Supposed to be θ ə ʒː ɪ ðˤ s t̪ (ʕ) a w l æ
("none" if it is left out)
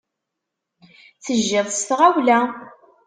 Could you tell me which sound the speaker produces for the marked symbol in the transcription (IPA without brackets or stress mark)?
ʁ